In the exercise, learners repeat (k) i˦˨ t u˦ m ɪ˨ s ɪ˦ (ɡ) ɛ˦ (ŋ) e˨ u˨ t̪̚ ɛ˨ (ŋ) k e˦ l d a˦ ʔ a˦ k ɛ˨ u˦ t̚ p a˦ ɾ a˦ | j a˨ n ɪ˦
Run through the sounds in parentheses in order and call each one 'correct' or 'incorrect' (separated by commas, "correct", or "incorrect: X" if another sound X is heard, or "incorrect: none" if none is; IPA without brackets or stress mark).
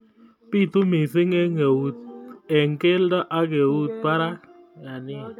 incorrect: p, incorrect: ŋ, correct, correct